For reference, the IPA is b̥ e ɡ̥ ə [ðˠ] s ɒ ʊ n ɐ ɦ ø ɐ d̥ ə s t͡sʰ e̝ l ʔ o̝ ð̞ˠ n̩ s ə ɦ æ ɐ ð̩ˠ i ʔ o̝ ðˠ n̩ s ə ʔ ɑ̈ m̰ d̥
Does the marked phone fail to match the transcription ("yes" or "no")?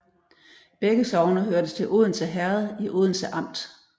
yes